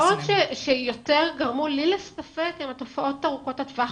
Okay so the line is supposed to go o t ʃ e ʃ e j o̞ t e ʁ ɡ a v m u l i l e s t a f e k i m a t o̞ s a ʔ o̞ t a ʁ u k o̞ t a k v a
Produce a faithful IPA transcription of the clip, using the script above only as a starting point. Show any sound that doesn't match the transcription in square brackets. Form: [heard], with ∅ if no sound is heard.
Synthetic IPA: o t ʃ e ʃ e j o̞ t e ʁ ɡ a [ʁ] m u l i l e s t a f e k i m a t o̞ [f] a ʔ o̞ t a ʁ u k o̞ t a [t] v a